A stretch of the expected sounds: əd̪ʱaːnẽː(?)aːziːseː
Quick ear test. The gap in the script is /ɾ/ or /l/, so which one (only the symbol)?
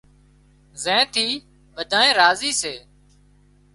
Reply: ɾ